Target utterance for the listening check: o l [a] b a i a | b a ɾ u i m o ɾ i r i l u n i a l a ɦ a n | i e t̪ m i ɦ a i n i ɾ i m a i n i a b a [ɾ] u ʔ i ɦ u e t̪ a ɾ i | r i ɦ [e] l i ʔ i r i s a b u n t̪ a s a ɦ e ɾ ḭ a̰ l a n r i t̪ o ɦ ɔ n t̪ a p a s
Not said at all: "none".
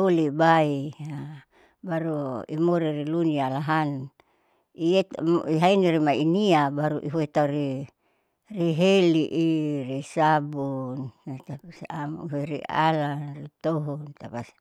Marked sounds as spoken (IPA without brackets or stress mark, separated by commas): i, ɾ, e